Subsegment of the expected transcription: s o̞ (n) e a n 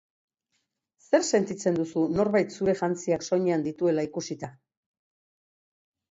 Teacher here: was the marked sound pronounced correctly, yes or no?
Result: no